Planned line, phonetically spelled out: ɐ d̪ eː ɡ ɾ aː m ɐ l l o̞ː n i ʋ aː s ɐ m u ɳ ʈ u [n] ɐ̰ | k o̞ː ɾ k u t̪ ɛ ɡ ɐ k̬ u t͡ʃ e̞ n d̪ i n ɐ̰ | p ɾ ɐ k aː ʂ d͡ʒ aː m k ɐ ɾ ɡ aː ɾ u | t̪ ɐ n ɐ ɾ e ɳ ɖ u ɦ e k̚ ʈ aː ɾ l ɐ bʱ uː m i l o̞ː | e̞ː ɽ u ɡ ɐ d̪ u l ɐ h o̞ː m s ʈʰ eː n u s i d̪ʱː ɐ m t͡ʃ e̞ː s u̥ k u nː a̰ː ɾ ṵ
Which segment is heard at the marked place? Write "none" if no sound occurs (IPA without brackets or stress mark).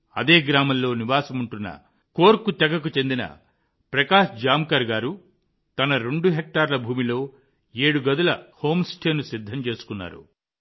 nː